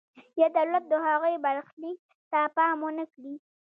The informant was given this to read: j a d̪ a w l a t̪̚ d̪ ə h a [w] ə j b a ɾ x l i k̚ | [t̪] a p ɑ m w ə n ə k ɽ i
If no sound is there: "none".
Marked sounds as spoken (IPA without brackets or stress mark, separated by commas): ɣ, t̪